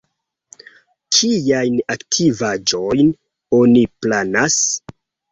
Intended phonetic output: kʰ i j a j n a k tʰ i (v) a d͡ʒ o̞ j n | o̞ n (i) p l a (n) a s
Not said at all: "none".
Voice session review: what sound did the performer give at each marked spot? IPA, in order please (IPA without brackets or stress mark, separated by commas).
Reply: v, i, n